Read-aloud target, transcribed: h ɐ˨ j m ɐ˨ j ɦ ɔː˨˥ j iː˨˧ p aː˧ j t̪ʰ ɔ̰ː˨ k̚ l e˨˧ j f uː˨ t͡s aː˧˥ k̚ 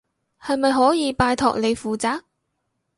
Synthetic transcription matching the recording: h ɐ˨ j m ɐ˨ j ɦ ɔː˨˥ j iː˨˧ p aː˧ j t̪ʰ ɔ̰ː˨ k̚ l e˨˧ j f uː˨ t͡s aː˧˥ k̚